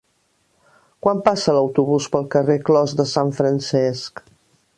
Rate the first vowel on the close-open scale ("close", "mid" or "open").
open